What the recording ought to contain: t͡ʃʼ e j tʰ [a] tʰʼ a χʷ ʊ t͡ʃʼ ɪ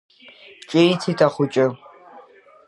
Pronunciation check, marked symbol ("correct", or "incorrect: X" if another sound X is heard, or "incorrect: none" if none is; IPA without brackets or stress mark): incorrect: i